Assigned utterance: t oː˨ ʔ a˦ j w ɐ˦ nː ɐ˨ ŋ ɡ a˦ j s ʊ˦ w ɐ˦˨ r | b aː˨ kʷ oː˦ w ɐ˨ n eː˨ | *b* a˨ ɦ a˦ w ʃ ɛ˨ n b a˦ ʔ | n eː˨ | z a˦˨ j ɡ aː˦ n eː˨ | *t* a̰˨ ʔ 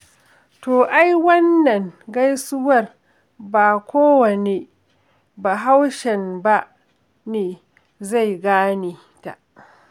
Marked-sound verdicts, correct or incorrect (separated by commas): correct, correct